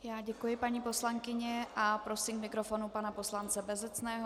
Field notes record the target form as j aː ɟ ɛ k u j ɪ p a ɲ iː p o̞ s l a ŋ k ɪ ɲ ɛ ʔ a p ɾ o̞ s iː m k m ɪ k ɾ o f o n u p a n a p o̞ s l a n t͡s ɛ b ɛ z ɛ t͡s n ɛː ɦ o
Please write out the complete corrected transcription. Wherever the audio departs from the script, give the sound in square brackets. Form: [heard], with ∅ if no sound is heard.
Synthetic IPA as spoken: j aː ɟ ɛ k u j ɪ p a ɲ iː p o̞ s l a ŋ k ɪ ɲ ɛ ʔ a p ɾ o̞ s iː m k m ɪ k ɾ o f o n u p a n a p o̞ s l a n t͡s ɛ b ɛ z ɛ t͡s n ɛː ɦ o